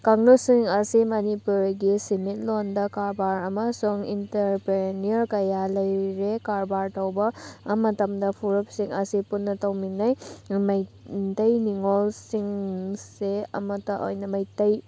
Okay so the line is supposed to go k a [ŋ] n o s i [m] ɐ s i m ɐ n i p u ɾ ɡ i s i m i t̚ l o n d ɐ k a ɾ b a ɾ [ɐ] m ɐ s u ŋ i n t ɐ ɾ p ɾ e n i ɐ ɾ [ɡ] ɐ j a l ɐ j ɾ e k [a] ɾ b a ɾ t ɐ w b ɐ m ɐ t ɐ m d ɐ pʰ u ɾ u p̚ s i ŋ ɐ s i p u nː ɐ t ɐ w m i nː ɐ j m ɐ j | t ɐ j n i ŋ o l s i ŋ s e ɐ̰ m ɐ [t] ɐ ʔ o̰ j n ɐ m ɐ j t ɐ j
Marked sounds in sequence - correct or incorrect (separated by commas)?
correct, incorrect, correct, incorrect, correct, correct